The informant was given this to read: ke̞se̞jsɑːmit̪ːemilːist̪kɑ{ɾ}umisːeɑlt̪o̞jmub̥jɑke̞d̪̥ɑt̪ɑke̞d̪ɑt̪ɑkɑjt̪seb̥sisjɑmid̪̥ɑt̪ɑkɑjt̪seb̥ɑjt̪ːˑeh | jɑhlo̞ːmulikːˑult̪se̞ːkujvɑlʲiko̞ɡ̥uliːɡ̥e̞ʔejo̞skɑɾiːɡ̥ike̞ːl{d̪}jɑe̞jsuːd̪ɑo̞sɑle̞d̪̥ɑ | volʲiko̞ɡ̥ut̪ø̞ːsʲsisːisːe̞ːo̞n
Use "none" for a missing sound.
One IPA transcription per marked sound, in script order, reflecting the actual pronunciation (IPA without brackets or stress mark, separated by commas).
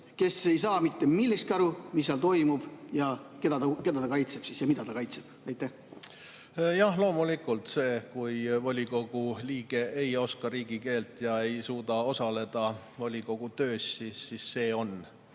ɾ, t̪